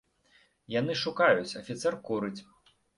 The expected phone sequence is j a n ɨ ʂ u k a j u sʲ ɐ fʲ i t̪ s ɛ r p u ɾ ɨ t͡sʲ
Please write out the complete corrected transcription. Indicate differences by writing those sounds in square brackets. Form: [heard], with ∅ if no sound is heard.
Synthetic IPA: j a n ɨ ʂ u k a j u [t͡sʲ] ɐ fʲ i t̪ s ɛ r [k] u ɾ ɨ t͡sʲ